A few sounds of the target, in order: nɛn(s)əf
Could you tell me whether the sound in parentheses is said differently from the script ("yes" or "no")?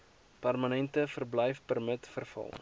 yes